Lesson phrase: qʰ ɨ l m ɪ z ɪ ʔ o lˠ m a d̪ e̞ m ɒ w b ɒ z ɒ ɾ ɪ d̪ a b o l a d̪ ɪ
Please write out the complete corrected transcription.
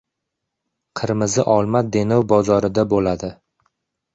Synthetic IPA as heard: qʰ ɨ ɾ m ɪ z ɪ ʔ ɒ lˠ m a d̪ e̞ n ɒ w b ɒ z ɒ ɾ ɪ d̪ a b o l a d̪ ɪ